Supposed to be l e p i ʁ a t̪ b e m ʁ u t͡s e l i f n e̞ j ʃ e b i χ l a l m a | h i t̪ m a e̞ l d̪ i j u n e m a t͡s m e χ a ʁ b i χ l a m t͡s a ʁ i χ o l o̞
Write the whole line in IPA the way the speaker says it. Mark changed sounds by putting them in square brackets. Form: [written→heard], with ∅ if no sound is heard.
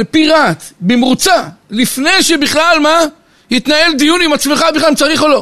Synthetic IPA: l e p i ʁ a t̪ b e m ʁ u t͡s [e→a] l i f n e̞ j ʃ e b i χ l a l m a | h i t̪ [m→n] a e̞ l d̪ i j u n [e→i] m a t͡s m e χ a [ʁ→∅] b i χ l a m t͡s a ʁ i χ o l o̞